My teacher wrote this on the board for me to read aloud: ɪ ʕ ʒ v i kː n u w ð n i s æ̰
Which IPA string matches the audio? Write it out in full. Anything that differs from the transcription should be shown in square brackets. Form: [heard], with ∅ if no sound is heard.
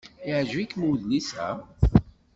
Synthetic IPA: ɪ ʕ ʒ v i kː [m] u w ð n i s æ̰

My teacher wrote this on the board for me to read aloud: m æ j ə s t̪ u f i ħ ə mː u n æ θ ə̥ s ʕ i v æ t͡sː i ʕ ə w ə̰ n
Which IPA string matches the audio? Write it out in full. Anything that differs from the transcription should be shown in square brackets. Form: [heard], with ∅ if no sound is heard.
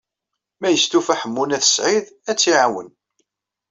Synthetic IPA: m æ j ə s t̪ u f [æ] ħ ə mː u n æ θ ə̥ s ʕ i [ð] æ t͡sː i ʕ [a] w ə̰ n

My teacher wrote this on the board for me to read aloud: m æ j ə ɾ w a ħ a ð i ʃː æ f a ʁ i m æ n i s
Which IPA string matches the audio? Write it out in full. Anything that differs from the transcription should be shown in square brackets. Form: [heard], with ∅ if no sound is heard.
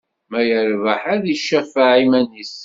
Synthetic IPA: m æ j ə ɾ [v] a ħ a ð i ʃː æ f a [ʕ] i m æ n i s

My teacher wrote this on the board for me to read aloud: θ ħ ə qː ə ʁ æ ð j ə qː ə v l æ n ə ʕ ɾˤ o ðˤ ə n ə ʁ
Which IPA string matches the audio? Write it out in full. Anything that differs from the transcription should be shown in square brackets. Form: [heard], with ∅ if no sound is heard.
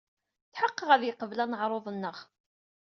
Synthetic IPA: θ ħ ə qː ə ʁ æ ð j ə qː ə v l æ n ə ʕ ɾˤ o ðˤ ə [nː] ə ʁ

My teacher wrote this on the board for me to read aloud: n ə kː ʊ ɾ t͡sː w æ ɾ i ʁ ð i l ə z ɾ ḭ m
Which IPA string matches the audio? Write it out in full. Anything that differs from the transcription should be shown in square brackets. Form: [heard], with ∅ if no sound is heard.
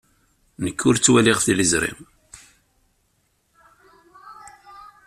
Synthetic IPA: n ə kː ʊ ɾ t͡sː w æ [l] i ʁ [θ] i l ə z ɾ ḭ m

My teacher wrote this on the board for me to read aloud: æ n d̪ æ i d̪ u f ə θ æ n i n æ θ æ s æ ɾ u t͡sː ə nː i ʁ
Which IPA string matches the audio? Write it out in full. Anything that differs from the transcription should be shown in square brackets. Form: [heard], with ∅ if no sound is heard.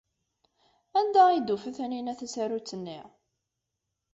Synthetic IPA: æ n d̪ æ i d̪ u f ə θ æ n i n æ θ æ s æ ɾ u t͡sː ə nː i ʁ

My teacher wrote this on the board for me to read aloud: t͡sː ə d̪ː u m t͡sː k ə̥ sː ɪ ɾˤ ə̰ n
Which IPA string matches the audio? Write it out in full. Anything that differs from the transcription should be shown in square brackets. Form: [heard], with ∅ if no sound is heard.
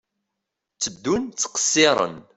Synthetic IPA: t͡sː ə d̪ː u [n] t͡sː [q] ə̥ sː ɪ ɾˤ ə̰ n

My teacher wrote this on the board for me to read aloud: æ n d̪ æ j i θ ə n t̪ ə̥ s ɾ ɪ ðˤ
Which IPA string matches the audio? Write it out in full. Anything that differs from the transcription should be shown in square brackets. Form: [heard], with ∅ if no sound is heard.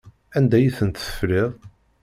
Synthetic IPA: æ n d̪ æ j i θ ə n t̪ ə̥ [f] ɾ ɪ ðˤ

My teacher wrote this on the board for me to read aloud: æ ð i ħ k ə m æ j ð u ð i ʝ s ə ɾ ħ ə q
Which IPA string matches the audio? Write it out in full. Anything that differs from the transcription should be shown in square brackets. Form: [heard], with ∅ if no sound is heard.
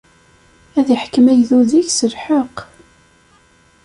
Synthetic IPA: æ ð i ħ k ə m æ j ð u ð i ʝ s ə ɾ ħ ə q

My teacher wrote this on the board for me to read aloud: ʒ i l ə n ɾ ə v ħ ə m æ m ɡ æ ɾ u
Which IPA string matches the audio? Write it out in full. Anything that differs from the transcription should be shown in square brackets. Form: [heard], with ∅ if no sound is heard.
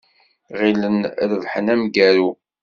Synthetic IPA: [ʁ] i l ə n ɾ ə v ħ ə [n] æ m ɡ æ ɾ u

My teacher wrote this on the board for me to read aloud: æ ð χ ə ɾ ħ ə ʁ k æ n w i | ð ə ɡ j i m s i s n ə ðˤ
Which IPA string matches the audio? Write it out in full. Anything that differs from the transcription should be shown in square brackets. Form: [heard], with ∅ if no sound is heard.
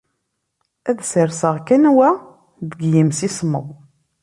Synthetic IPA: æ ð [s] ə ɾ [s] ə ʁ k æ n w [æ] | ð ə ɡ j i m s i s [m] ə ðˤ

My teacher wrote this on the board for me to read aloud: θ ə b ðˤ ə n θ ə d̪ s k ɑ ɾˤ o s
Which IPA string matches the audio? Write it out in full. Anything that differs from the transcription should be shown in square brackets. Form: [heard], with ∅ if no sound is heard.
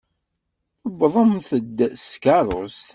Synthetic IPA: θ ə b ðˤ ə [m] θ ə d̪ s k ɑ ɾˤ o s

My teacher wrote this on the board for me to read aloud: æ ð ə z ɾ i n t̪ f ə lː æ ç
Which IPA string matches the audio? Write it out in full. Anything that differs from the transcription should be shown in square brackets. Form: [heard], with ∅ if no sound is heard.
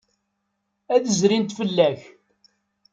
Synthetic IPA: æ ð ə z ɾ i n t̪ f ə lː æ ç

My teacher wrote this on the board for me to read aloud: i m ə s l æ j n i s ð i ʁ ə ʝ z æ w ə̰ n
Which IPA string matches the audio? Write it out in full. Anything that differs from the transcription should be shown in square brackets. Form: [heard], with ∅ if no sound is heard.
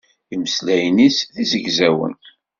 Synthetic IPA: i m ə s l æ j n i s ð i [z] ə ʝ z æ w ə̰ n

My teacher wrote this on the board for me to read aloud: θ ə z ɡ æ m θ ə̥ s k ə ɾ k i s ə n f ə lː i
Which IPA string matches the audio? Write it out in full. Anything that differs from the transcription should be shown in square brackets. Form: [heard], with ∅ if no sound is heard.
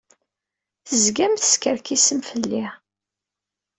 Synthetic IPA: θ ə z ɡ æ m θ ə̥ s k ə ɾ k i s ə [m] f ə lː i

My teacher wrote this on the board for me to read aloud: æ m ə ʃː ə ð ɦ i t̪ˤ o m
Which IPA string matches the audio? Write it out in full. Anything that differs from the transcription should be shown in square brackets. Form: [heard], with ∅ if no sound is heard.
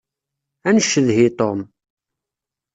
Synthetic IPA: æ [n] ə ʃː ə ð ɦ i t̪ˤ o m

